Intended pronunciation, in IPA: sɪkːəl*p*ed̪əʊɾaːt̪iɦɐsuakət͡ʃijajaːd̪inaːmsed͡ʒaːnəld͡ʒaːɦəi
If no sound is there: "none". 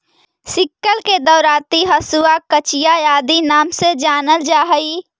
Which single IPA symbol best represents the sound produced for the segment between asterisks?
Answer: k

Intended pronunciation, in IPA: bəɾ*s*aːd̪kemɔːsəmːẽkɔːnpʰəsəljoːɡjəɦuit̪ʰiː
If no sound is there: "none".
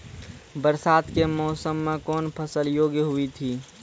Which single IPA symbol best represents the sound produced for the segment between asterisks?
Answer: s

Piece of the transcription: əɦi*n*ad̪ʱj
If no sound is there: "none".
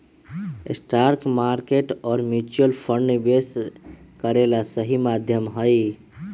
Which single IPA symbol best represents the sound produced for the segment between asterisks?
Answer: m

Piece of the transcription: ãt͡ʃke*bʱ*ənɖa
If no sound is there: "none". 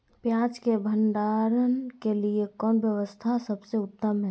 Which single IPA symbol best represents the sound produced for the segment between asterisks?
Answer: bʱ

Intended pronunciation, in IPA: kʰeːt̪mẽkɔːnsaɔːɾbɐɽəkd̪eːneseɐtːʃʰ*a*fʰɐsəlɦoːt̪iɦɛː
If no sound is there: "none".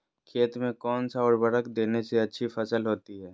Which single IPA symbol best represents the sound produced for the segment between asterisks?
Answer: i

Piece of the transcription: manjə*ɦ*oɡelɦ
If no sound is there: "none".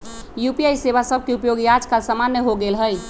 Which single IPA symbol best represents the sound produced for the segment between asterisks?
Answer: ɦ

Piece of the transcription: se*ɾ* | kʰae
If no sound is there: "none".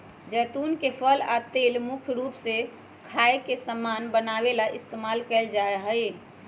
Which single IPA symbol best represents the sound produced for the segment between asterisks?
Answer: none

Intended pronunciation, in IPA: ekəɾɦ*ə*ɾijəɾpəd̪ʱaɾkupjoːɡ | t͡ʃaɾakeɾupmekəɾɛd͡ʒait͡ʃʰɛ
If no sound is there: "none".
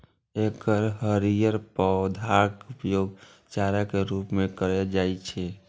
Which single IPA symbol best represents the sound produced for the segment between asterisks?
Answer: ə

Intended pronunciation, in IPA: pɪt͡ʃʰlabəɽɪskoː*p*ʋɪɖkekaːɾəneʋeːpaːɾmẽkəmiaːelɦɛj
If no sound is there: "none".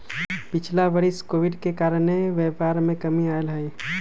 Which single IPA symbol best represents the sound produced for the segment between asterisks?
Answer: none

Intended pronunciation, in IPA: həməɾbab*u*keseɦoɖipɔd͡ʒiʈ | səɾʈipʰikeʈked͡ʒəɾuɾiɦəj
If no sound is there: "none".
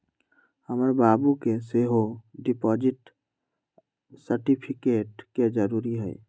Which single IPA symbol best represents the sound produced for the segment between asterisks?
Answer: u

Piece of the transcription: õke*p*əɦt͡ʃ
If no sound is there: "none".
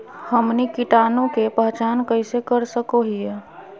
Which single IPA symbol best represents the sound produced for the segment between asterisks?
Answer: p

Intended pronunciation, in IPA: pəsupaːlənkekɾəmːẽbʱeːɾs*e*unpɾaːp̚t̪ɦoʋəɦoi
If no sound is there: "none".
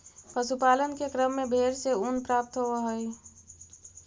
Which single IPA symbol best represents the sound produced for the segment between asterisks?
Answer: e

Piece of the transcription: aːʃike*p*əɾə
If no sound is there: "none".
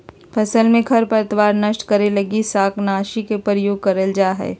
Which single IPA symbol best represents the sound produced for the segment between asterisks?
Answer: p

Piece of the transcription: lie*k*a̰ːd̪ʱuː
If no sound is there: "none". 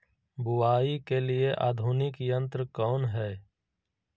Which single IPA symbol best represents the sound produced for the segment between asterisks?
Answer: ʔ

